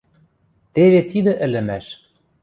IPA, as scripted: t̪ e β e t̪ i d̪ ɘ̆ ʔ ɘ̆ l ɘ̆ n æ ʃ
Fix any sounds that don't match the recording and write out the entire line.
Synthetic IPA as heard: t̪ e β e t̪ i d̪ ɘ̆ ʔ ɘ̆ l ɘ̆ m æ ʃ